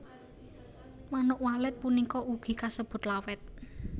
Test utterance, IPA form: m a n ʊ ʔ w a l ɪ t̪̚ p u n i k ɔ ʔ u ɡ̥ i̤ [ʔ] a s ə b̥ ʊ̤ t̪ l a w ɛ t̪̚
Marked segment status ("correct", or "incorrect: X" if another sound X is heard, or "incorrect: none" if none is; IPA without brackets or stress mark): incorrect: k